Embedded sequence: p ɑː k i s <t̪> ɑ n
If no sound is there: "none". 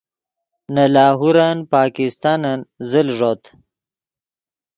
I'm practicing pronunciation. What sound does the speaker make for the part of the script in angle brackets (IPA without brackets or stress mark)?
t̪